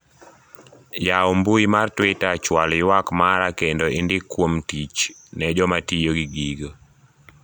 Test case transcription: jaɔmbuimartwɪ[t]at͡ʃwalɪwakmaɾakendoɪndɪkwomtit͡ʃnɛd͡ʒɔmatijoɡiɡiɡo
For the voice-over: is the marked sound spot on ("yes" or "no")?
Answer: yes